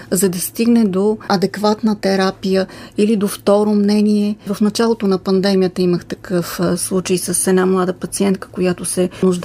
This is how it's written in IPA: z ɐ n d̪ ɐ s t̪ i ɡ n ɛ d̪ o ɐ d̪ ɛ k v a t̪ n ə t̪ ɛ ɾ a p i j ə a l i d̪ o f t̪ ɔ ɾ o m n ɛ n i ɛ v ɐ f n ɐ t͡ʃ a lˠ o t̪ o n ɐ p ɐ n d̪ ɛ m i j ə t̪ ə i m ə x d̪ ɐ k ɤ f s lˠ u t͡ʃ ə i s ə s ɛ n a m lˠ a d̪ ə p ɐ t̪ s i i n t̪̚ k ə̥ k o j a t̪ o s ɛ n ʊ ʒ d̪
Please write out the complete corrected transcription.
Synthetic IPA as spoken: z ɐ d̪ ɐ s t̪ i ɡ n ɛ d̪ o ɐ d̪ ɛ k v a t̪ n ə t̪ ɛ ɾ a p i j ə i l i d̪ o f t̪ ɔ ɾ o m n ɛ n i ɛ v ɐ f n ɐ t͡ʃ a lˠ o t̪ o n ɐ p ɐ n d̪ ɛ m i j ə t̪ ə i m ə x t̪ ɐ k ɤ f s lˠ u t͡ʃ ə j s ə s ɛ n a m lˠ a d̪ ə p ɐ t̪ s i ɛ n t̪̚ k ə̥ k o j a t̪ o s ɛ n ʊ ʒ d̪